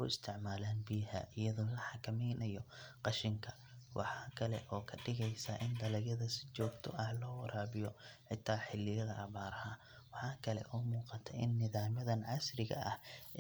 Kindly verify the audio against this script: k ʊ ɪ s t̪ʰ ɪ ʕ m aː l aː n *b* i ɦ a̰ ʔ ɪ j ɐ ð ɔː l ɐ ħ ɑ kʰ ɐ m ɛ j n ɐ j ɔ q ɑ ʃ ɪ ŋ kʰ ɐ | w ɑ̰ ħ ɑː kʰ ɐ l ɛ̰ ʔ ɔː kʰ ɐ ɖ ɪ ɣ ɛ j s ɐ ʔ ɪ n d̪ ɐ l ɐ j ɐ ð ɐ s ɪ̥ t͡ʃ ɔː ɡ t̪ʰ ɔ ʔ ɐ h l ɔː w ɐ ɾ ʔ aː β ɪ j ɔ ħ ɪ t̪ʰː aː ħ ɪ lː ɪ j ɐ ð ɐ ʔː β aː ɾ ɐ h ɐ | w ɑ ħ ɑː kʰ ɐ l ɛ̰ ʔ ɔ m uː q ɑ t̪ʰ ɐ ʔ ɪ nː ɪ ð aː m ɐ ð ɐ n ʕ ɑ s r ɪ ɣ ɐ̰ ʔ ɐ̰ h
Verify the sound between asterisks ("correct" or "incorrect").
correct